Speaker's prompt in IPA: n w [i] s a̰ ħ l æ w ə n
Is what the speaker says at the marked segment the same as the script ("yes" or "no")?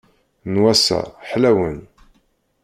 no